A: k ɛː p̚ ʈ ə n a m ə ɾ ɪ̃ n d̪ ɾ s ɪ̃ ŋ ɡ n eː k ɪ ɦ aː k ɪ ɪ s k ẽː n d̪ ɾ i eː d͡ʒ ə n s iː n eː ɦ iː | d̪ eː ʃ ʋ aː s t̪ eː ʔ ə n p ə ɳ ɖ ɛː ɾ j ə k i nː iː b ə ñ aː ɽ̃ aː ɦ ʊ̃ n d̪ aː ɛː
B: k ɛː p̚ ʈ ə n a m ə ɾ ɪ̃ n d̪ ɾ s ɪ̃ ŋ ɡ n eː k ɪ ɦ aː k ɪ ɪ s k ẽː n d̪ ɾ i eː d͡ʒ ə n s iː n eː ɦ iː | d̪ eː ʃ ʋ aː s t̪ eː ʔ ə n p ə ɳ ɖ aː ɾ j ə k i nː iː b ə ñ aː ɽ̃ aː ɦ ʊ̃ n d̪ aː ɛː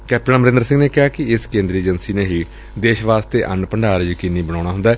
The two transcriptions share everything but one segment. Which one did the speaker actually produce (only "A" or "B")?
B